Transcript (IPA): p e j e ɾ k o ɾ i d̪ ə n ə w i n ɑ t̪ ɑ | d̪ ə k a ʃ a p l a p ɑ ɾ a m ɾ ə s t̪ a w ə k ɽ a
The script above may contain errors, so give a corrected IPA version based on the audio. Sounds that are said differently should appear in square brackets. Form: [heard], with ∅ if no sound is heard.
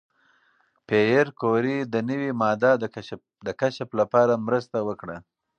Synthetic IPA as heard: p e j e ɾ k o ɾ i d̪ ə n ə w i [m] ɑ [d̪] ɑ | d̪ ə k a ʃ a p l a p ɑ ɾ a m ɾ ə s t̪ a w ə k ɽ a